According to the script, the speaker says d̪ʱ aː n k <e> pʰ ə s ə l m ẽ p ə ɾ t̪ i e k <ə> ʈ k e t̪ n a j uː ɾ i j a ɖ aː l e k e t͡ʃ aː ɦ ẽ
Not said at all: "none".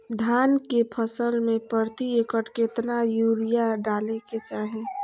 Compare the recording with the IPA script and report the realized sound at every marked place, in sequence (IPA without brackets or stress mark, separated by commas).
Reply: e, ə